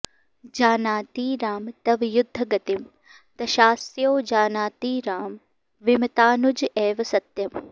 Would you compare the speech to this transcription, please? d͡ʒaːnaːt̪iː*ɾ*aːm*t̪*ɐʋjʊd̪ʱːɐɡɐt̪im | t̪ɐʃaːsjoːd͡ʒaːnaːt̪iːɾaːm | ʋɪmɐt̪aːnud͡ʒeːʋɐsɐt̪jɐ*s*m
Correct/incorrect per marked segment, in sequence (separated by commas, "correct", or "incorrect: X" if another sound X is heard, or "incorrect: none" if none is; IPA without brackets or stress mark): correct, correct, incorrect: none